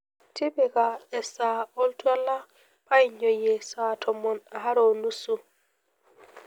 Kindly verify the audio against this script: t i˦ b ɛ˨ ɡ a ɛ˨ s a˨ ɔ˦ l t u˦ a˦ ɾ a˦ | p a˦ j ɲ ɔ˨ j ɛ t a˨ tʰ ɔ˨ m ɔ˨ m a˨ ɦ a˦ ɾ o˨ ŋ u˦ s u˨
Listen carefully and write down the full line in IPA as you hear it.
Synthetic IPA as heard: t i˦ b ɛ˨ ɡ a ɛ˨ s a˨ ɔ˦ l t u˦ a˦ l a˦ | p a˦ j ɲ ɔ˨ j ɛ s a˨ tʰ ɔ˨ m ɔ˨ n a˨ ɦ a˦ ɾ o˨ n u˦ s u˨